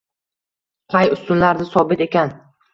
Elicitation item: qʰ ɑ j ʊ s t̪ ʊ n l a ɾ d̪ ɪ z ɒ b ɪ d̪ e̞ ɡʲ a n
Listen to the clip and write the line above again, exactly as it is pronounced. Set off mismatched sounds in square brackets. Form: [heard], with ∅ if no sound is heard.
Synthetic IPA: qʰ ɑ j ʊ s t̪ ʊ n l a ɾ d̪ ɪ [s] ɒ b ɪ [t̪] e̞ [kʲ] a n